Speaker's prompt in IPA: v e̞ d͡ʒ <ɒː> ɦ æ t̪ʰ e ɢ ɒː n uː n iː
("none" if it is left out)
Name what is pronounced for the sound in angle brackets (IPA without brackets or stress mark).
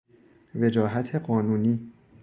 ɒː